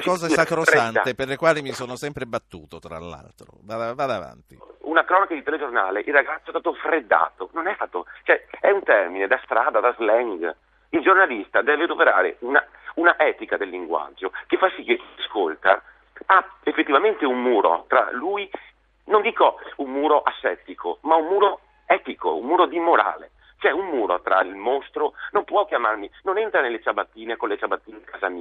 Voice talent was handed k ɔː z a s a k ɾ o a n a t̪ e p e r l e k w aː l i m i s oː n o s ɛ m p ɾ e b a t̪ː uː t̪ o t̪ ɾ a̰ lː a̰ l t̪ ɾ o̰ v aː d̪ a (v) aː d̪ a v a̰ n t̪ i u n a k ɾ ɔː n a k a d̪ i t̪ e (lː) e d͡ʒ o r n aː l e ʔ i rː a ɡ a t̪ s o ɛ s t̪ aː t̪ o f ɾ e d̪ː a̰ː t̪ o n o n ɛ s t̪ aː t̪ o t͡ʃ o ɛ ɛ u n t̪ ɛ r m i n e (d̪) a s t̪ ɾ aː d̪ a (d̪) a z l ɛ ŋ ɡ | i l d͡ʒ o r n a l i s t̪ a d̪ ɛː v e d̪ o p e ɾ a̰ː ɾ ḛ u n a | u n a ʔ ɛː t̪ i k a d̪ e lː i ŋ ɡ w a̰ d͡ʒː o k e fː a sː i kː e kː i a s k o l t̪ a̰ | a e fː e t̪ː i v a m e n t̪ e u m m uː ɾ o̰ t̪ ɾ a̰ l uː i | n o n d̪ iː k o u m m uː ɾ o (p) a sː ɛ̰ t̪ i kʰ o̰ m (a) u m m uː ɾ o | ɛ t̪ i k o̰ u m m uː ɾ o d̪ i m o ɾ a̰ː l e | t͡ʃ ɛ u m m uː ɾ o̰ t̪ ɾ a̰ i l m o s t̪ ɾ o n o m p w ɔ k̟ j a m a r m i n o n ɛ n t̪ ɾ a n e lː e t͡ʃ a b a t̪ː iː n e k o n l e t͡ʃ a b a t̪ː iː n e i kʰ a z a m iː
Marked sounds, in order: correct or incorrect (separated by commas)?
correct, incorrect, correct, correct, incorrect, correct